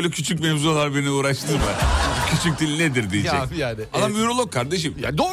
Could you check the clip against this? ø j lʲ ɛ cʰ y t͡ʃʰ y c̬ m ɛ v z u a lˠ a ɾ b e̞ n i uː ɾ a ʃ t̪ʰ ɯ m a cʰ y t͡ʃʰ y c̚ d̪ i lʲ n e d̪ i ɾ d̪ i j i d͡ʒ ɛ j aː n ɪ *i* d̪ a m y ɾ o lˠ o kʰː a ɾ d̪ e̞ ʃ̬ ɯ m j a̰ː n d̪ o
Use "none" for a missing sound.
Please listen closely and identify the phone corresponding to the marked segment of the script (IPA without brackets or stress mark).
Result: a